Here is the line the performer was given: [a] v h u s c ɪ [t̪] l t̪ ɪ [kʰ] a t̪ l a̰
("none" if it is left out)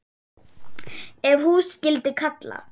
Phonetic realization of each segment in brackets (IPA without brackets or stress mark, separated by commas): ɛ, none, kʰ